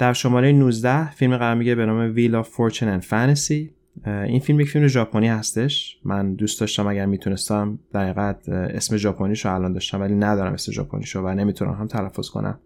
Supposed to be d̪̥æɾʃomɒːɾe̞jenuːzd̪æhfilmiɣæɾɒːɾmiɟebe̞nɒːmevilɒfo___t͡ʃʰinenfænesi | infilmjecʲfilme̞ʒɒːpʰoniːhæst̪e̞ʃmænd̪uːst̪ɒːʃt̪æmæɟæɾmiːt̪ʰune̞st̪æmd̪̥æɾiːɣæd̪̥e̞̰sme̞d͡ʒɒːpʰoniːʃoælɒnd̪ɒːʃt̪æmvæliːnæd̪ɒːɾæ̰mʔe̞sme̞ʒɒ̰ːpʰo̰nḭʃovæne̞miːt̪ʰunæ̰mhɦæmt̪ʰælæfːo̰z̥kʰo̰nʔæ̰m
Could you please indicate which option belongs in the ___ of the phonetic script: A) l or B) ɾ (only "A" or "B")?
B